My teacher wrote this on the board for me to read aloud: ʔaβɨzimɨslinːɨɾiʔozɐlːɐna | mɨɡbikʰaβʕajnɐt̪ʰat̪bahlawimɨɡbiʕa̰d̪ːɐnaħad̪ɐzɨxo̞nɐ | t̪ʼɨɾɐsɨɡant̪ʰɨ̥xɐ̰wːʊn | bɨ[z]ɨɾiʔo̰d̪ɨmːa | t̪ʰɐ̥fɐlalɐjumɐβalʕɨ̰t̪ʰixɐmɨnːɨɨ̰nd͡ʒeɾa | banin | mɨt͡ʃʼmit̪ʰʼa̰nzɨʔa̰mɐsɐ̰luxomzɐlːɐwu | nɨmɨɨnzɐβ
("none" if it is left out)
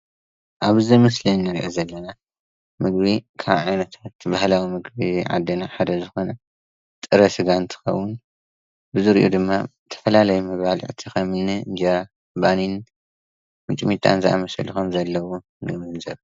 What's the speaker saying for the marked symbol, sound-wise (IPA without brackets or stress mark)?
z